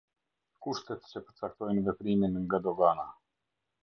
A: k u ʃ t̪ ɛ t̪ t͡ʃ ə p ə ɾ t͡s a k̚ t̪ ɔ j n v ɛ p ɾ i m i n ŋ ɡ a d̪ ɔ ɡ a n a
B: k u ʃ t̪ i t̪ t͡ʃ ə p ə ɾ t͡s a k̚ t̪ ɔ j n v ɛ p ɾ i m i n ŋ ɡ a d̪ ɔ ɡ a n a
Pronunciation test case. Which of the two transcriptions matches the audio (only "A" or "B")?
A